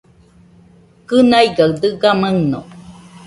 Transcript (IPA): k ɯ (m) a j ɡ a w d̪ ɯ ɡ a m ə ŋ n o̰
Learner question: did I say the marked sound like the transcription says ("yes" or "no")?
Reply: no